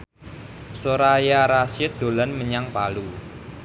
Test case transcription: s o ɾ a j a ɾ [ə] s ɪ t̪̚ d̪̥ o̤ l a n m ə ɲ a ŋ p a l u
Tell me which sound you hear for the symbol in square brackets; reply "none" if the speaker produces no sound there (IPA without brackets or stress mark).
a